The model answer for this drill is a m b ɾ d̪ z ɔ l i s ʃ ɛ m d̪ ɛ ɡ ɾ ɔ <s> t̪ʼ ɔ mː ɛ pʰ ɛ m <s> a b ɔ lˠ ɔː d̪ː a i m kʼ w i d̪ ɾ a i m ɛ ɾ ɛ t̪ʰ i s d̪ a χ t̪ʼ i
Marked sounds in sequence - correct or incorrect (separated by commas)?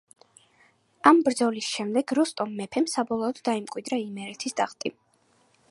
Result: correct, correct